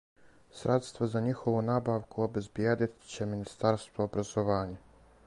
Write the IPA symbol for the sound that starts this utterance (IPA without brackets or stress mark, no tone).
s